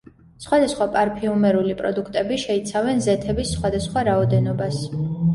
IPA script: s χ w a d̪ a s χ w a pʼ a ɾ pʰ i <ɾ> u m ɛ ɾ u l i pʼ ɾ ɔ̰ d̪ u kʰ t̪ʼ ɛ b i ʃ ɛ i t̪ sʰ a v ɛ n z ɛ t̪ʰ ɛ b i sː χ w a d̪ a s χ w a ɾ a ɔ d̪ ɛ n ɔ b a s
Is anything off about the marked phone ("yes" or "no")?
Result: yes